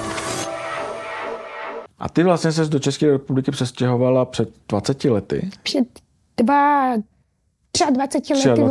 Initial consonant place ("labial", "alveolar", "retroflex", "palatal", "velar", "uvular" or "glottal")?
glottal